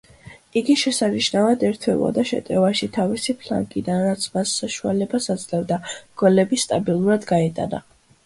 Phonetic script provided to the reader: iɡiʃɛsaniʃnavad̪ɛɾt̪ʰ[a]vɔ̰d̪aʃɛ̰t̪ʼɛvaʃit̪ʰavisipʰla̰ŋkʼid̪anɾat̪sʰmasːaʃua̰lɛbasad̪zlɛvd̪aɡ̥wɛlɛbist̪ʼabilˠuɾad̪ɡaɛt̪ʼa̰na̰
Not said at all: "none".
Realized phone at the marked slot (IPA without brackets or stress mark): ɛ